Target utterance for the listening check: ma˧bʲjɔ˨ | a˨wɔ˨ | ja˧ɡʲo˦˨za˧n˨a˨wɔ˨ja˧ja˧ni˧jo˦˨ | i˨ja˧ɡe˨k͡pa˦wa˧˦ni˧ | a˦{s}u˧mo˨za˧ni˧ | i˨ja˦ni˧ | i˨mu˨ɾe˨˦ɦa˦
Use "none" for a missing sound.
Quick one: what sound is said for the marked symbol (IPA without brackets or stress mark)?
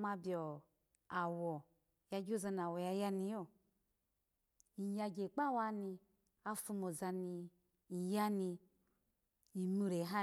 f